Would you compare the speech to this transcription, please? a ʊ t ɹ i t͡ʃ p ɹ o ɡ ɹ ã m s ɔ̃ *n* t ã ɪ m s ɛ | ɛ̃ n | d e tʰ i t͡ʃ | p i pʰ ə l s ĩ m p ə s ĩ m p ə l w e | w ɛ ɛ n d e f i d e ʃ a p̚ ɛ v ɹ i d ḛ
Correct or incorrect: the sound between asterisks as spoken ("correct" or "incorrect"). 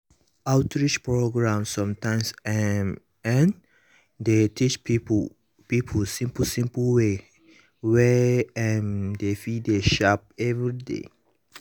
incorrect